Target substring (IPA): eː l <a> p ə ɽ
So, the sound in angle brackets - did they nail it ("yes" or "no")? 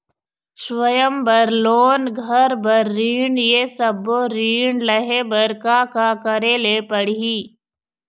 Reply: no